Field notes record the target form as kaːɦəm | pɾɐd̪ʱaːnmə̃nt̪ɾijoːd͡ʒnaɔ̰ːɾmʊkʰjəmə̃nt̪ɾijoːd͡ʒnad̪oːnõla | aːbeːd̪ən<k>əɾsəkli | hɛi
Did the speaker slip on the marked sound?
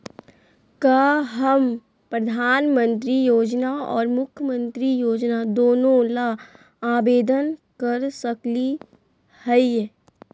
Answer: no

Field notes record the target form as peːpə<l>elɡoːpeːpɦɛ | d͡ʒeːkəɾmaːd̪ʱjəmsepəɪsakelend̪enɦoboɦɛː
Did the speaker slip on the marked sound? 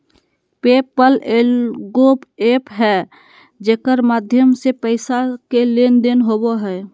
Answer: no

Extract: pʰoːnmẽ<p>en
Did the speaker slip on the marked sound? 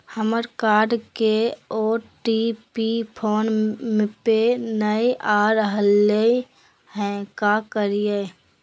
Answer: no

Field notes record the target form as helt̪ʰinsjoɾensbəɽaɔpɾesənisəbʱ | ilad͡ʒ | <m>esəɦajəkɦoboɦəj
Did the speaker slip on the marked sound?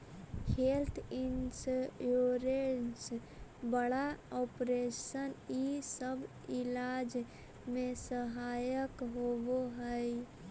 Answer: no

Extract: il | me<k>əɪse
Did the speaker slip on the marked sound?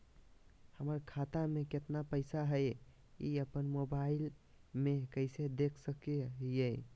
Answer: no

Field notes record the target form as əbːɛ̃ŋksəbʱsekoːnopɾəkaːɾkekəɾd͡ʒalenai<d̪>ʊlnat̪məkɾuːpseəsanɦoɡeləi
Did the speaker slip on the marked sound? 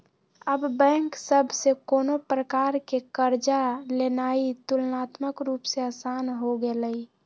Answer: yes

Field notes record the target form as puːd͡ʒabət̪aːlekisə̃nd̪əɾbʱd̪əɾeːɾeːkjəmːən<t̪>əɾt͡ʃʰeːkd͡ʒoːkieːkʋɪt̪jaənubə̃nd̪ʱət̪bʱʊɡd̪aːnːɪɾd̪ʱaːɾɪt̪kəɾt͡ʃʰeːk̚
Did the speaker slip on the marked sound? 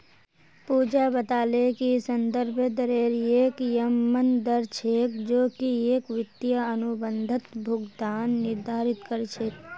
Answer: yes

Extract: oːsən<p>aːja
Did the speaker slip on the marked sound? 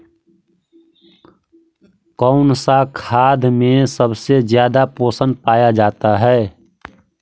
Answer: no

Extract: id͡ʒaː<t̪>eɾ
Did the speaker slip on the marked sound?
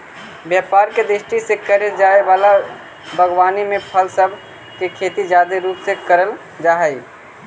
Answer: yes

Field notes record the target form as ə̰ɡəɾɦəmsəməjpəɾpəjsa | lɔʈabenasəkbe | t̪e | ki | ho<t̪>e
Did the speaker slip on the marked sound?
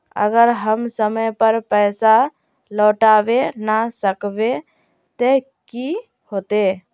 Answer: no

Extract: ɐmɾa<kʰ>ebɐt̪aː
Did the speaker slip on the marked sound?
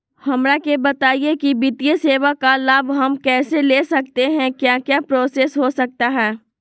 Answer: yes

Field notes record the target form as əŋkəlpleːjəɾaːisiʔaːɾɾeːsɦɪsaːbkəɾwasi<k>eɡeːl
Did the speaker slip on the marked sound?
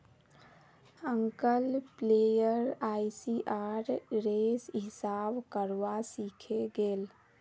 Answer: yes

